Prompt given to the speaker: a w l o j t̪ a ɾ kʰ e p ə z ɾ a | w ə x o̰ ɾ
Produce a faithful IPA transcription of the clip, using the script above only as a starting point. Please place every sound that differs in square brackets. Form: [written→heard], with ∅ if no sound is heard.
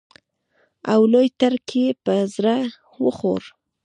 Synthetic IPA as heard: a w l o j t̪ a ɾ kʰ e p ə z ɾ a | w ə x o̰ ɾ